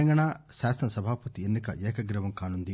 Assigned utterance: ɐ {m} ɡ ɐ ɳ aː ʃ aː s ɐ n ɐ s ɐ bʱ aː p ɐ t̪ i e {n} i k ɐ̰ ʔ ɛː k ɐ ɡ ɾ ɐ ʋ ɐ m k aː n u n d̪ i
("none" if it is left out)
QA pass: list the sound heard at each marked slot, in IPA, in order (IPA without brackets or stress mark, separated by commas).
ŋ, nː